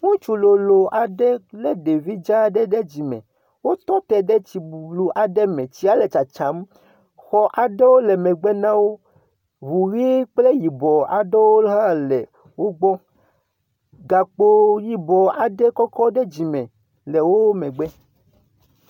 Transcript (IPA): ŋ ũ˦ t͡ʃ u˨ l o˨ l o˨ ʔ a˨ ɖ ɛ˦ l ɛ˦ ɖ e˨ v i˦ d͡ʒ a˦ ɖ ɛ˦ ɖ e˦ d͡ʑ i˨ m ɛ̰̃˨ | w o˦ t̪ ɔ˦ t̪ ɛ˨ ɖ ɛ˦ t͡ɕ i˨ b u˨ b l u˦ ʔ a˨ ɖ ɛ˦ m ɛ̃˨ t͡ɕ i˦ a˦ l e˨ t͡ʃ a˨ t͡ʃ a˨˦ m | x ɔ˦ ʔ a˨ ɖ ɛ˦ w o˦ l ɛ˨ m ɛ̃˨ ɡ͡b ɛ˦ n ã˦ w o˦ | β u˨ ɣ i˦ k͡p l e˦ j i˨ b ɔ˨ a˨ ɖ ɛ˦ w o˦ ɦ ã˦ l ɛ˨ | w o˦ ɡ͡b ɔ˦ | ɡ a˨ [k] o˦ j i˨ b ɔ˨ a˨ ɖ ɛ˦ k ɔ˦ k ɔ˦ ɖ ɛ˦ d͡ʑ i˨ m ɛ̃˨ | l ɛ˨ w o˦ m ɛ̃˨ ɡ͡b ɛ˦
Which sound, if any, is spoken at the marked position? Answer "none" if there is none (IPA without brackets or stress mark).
k͡p